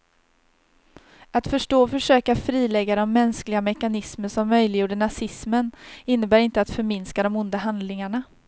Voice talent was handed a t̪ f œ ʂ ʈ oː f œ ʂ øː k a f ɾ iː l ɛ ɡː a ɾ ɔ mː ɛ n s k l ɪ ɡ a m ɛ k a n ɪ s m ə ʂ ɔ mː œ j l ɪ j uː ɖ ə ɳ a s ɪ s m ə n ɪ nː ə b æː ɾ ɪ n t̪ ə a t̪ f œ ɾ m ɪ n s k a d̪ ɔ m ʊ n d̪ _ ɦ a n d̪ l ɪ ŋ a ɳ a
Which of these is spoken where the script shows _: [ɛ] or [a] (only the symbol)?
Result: a